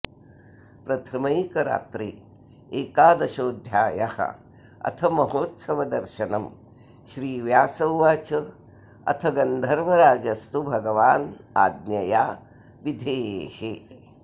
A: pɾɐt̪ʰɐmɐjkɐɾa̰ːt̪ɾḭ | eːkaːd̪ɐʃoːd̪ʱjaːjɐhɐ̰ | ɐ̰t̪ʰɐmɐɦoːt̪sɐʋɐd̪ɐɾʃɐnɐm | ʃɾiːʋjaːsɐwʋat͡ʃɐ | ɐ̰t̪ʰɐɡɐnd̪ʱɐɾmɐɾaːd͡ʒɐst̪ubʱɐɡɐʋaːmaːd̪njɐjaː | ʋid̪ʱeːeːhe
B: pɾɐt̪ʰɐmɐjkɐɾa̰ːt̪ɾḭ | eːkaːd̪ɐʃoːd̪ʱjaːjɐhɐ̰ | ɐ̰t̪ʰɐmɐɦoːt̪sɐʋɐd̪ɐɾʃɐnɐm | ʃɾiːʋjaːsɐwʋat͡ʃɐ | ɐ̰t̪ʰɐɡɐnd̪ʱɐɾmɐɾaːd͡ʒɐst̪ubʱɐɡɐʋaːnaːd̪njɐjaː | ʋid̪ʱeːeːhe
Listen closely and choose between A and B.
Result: B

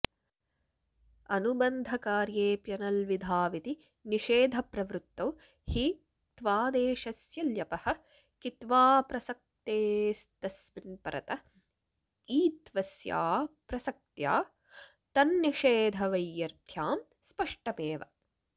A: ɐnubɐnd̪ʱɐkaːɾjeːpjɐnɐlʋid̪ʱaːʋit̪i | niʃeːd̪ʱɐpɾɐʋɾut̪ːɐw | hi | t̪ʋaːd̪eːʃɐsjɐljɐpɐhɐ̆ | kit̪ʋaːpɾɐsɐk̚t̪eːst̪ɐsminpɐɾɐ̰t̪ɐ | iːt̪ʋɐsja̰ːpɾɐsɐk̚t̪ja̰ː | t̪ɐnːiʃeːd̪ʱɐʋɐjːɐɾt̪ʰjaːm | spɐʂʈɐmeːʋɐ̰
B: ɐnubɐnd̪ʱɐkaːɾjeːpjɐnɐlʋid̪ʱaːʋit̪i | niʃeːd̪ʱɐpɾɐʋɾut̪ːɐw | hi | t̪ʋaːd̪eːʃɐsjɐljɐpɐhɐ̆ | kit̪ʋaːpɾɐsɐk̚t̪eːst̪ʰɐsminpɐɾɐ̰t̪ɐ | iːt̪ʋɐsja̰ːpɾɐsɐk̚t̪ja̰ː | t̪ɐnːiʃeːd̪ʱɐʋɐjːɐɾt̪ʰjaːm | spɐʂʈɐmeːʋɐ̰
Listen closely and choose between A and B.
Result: A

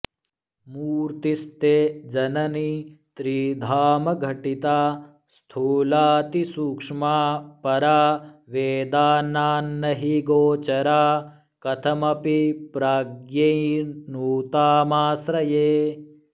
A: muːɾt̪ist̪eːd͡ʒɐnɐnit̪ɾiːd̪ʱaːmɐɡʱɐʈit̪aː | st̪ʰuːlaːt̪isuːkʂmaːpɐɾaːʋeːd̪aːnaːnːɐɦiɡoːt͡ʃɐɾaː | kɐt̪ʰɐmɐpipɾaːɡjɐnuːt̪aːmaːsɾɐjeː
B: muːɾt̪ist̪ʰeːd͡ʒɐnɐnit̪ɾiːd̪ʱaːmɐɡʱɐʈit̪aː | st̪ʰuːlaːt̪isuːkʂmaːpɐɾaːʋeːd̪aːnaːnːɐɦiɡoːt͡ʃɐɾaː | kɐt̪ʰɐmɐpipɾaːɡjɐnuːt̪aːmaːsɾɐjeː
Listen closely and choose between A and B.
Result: A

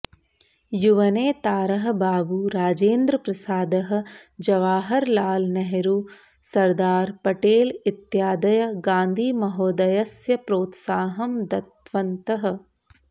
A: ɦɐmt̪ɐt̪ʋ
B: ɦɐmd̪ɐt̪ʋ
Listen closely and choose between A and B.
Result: B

